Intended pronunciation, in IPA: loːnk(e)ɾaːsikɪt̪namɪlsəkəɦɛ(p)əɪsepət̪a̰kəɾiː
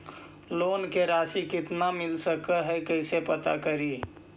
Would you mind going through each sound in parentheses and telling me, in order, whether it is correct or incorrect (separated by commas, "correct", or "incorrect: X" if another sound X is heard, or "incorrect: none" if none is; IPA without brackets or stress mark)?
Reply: correct, incorrect: k